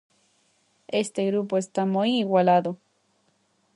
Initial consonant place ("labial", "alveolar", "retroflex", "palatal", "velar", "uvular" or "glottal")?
alveolar